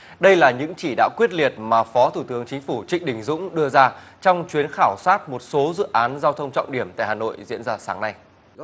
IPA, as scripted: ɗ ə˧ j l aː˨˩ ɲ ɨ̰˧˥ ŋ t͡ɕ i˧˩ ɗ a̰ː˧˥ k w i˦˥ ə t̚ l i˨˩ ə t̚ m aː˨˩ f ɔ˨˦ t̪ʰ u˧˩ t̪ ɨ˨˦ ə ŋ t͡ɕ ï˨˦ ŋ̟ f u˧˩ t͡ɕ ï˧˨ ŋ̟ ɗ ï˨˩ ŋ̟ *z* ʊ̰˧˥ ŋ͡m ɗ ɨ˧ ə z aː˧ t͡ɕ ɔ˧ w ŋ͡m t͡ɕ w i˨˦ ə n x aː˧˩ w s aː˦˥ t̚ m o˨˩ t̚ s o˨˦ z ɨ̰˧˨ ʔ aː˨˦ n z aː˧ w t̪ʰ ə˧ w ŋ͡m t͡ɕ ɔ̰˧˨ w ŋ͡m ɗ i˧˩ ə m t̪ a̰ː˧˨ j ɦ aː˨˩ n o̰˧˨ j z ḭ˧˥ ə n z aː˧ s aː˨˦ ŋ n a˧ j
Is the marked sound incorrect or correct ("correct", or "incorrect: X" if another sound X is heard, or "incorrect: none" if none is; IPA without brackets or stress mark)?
correct